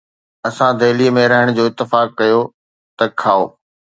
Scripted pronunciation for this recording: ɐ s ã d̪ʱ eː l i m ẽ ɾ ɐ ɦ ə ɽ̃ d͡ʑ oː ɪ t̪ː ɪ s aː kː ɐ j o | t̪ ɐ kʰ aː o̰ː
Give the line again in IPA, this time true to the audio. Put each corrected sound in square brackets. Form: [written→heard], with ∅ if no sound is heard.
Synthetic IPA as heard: ɐ s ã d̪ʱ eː l i m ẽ ɾ ɐ ɦ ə ɽ̃ d͡ʑ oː ɪ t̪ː ɪ [s→f] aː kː ɐ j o | t̪ ɐ kʰ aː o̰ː